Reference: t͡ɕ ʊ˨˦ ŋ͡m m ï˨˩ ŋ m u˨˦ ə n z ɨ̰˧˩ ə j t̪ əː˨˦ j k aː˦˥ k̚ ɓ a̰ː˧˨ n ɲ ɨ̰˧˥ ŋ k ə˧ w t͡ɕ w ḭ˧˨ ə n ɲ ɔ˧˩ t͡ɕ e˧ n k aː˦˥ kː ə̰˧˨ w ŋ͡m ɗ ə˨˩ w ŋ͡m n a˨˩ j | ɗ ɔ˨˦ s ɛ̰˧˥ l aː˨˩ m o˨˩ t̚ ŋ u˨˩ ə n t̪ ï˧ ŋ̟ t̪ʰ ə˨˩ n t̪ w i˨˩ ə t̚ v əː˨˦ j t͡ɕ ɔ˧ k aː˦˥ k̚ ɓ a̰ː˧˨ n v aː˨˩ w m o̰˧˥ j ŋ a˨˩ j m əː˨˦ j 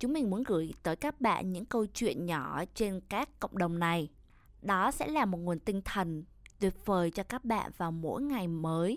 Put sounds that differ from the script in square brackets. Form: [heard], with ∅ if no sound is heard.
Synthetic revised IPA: t͡ɕ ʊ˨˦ ŋ͡m m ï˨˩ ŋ m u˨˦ ə n [ɣ] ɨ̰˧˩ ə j t̪ əː˨˦ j k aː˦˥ k̚ ɓ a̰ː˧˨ n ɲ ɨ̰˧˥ ŋ k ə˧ w t͡ɕ w ḭ˧˨ ə n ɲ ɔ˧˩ t͡ɕ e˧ n k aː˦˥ kː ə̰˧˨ w ŋ͡m ɗ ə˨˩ w ŋ͡m n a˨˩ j | ɗ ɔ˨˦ s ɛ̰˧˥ l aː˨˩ m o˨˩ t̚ ŋ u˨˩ ə n t̪ ï˧ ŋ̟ t̪ʰ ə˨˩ n t̪ w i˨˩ ə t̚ v [əː˨˩] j t͡ɕ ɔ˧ k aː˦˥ k̚ ɓ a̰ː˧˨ n v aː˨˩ w m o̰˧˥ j ŋ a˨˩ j m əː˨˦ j